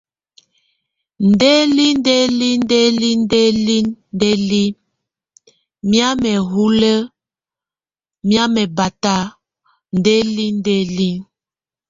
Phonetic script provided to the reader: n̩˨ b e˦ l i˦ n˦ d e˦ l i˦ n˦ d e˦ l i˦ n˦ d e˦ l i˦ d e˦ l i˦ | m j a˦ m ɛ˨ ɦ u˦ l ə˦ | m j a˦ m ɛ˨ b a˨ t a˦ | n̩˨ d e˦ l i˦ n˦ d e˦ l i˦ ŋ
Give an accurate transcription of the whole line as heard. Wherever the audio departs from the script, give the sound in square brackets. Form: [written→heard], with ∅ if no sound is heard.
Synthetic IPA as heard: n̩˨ [b→d] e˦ l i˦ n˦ d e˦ l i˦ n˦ d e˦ l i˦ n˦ d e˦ l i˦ d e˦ l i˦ | m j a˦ m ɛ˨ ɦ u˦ l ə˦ | m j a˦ m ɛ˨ b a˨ t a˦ | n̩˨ d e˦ l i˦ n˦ d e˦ l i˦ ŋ